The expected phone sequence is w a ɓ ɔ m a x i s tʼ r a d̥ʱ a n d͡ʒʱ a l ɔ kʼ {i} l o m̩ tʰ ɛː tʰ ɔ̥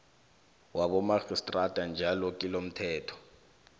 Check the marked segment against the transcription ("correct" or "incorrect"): correct